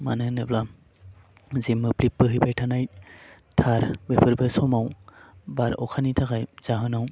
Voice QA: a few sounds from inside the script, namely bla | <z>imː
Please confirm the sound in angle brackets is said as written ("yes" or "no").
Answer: yes